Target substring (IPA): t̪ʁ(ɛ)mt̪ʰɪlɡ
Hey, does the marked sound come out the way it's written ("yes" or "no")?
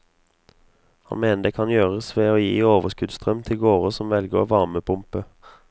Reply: no